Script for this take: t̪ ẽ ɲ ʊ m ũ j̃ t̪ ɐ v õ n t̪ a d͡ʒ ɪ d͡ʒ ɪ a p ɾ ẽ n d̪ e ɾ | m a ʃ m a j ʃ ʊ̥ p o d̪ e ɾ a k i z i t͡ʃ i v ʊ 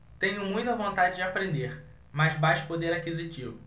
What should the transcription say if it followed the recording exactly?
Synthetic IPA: t̪ ẽ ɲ ʊ m ũ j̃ t̪ ɐ v õ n t̪ a d͡ʒ ɪ d͡ʒ ɪ a p ɾ ẽ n d̪ e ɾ | m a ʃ b a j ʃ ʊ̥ p o d̪ e ɾ a k i z i t͡ʃ i v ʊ